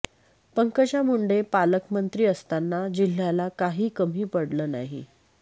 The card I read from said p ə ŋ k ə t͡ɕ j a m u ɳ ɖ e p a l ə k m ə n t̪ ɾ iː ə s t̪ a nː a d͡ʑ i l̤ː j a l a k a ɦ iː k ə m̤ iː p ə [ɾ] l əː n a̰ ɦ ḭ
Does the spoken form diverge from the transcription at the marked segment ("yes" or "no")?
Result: yes